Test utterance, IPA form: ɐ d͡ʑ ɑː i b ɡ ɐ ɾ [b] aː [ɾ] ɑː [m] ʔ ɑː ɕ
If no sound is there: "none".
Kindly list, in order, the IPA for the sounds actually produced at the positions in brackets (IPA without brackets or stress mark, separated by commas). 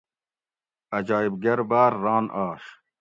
b, ɾː, n